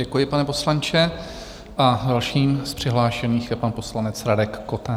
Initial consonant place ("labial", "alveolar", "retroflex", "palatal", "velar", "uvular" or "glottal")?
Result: velar